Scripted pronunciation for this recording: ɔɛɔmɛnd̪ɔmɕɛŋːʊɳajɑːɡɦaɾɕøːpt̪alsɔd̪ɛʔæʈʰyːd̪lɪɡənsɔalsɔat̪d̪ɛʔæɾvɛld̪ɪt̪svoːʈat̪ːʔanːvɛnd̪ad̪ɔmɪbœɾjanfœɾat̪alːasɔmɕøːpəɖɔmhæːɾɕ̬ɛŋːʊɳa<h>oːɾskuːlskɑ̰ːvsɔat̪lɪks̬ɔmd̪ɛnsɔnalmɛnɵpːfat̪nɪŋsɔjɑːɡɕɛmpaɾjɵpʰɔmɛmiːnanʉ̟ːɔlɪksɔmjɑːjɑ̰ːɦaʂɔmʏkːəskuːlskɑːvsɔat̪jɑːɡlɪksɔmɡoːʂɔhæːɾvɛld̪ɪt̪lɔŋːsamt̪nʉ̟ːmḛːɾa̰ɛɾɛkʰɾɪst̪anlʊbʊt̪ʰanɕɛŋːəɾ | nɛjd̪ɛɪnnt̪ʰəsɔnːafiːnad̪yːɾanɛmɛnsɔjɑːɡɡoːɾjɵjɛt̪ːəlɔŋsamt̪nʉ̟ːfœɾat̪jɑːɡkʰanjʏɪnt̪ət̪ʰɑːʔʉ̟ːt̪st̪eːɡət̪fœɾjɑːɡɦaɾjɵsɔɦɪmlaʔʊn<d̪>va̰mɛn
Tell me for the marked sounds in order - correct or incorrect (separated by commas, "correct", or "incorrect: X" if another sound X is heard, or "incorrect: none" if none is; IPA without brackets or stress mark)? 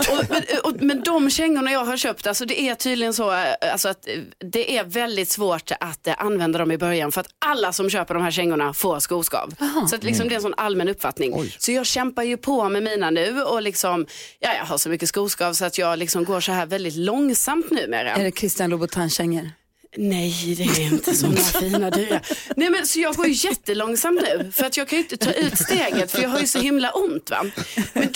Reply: incorrect: f, incorrect: t̪